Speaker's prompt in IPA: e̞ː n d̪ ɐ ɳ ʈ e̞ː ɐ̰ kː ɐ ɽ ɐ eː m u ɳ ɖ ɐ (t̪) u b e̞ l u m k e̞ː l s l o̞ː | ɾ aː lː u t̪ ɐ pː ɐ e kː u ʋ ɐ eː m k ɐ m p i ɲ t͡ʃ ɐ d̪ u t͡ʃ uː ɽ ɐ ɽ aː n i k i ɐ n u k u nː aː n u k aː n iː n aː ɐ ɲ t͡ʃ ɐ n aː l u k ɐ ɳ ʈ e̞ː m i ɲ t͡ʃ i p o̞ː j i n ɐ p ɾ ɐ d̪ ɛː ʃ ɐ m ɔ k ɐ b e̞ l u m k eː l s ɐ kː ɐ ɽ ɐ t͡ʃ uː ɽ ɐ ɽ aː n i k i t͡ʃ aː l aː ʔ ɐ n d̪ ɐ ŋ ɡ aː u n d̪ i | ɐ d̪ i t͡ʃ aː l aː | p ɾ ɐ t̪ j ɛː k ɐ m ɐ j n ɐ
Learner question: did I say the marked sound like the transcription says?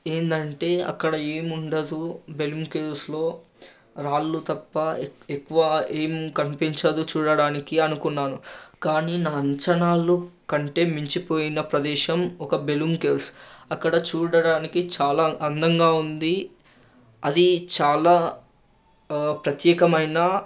no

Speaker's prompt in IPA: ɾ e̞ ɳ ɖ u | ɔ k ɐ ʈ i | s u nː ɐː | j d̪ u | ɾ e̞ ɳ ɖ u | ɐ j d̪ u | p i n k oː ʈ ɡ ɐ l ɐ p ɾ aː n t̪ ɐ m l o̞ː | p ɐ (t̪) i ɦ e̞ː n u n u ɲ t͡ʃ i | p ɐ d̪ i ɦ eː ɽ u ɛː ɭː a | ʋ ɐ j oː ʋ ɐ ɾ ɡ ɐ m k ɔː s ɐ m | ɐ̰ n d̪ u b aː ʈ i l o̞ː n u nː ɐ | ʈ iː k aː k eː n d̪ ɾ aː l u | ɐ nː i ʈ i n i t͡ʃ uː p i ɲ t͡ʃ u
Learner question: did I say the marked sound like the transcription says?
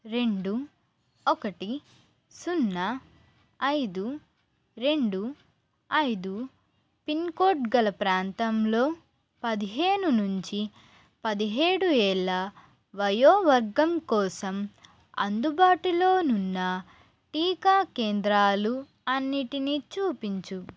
no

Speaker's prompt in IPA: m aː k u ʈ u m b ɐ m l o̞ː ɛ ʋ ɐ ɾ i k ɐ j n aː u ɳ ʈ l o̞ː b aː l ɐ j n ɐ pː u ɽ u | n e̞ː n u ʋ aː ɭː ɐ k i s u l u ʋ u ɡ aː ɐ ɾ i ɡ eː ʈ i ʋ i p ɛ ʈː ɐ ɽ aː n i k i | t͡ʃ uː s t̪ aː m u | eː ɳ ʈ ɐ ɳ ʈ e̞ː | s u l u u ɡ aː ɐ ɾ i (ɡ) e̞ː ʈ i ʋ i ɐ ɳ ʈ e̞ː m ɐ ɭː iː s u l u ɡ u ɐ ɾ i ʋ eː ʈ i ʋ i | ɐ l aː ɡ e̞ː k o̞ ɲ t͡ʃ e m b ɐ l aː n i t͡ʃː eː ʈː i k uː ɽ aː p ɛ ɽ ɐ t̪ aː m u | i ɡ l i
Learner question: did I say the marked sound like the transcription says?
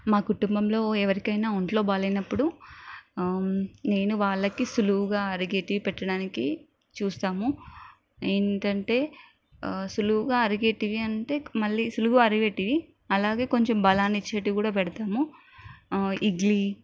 yes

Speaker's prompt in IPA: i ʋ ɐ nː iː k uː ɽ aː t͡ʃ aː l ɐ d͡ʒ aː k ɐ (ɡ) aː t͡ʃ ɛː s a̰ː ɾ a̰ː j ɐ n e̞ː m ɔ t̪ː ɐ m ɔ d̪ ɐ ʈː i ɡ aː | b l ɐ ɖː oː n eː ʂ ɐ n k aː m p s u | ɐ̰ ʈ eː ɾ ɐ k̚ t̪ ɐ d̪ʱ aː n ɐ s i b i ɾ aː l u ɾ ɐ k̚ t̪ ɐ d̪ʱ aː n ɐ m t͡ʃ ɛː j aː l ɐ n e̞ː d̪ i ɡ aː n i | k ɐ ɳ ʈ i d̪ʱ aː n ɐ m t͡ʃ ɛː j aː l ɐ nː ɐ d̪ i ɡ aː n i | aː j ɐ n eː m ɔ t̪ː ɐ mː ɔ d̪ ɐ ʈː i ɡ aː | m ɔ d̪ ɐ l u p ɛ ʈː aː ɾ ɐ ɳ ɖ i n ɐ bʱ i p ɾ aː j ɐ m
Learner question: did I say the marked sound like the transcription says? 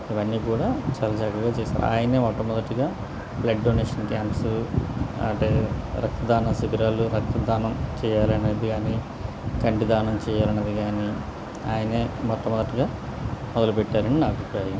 yes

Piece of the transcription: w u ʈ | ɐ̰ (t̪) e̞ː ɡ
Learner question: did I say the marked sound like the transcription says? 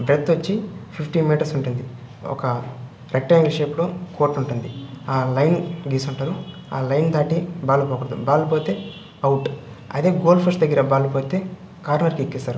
no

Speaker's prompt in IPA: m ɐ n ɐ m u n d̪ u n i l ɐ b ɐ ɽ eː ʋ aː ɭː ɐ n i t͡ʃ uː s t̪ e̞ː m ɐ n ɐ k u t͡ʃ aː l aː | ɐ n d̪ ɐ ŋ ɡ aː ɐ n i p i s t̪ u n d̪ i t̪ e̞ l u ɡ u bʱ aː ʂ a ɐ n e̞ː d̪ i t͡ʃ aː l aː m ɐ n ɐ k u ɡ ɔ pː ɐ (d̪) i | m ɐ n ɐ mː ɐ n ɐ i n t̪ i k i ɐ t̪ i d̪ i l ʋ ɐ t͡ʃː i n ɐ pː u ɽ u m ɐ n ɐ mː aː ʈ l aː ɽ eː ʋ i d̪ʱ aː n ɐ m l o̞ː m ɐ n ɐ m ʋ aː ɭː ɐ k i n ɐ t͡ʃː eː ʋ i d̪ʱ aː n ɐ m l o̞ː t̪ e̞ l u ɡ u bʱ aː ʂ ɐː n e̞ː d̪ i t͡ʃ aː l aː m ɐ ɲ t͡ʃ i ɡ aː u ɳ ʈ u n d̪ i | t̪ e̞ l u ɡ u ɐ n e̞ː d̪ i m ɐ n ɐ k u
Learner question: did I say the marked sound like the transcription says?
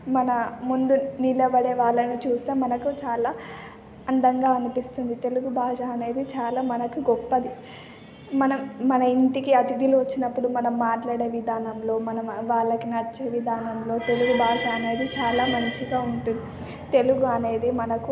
yes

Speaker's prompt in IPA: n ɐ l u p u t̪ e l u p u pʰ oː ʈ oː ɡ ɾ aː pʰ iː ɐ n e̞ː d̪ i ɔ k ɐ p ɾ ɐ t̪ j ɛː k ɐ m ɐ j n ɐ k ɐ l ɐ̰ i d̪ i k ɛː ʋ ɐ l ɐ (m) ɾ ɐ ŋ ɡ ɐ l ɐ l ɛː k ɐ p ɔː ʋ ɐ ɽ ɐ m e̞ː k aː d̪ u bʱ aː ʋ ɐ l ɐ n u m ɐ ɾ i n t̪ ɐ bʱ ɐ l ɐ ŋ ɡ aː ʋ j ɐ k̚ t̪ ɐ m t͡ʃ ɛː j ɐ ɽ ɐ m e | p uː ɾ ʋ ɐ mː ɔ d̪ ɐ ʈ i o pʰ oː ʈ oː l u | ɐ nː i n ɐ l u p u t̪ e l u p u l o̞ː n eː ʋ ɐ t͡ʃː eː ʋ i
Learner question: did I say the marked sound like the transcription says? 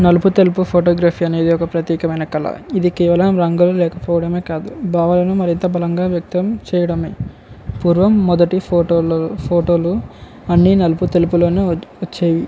yes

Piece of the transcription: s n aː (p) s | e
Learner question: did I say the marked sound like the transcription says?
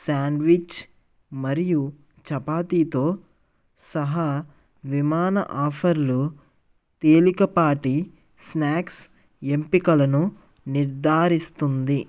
no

